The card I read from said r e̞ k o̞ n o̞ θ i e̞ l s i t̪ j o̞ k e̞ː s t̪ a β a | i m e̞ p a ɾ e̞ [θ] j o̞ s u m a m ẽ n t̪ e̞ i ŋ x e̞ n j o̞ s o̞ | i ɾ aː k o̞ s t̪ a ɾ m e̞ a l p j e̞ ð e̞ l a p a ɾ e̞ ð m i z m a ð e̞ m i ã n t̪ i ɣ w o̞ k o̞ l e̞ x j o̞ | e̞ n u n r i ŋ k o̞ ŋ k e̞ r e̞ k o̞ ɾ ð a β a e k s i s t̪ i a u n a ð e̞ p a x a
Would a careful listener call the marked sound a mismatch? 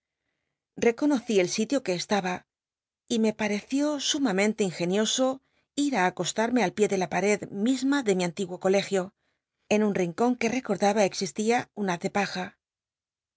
no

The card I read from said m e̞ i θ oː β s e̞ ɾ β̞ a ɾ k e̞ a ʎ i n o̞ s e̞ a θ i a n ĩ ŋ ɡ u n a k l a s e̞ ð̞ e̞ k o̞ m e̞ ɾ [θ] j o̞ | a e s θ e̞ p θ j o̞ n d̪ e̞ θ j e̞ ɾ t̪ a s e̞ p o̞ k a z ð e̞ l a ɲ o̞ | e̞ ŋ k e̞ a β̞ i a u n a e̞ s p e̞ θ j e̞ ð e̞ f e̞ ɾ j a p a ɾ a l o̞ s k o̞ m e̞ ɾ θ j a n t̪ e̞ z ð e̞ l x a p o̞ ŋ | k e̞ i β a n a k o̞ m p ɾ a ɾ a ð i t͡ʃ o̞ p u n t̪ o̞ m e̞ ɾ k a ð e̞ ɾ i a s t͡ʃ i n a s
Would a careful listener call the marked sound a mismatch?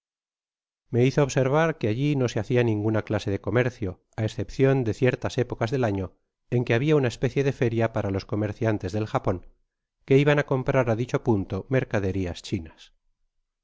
no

